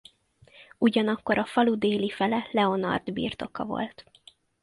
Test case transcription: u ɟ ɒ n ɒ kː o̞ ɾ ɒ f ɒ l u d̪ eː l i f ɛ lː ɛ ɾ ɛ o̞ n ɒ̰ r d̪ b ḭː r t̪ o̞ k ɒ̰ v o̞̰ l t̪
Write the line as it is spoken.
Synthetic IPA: u ɟ ɒ n ɒ kː o̞ ɾ ɒ f ɒ l u d̪ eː l i f ɛ l ɛ l ɛ o̞ n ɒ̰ r d̪ b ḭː r t̪ o̞ k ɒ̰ v o̞̰ l t̪